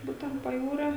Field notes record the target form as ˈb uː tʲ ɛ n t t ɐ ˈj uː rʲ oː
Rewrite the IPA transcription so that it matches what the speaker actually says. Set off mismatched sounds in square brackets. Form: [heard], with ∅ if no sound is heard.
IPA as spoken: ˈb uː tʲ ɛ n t [p] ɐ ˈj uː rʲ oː